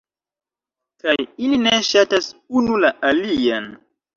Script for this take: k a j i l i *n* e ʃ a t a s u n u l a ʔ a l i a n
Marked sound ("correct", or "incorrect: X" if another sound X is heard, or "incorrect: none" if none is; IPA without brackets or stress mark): correct